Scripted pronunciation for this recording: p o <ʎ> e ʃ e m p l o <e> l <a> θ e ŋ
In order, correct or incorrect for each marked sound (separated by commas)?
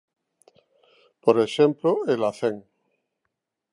incorrect, correct, correct